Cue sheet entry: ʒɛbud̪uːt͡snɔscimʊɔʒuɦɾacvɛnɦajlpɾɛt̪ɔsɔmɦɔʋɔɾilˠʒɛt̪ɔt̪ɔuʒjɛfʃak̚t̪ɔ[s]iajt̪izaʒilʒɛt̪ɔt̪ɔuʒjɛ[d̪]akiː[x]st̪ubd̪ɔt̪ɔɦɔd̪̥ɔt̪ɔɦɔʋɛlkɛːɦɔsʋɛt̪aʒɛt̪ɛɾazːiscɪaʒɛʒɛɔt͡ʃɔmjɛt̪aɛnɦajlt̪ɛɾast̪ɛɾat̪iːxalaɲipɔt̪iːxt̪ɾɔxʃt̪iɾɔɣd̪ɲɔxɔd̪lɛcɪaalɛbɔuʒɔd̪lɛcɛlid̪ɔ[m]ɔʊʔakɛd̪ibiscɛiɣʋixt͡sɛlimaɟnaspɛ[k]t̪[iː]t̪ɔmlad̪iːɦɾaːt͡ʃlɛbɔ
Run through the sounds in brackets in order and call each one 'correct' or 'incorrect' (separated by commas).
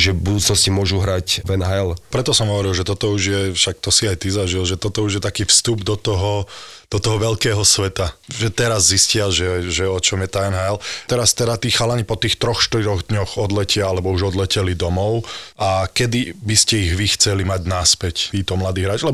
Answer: correct, incorrect, incorrect, correct, incorrect, correct